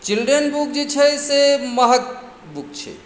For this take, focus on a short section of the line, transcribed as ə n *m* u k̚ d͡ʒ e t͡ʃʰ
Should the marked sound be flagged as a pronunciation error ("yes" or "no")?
yes